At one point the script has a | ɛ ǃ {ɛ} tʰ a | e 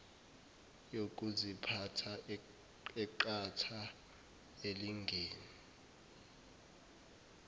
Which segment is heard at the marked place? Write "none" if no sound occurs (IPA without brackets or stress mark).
a